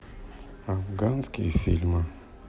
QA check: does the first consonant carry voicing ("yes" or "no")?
yes